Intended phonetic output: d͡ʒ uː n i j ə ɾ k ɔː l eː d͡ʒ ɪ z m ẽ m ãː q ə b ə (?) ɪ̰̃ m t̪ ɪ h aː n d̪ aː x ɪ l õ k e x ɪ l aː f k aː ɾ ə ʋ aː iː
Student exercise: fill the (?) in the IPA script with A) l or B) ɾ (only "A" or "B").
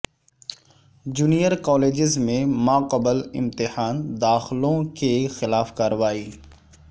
A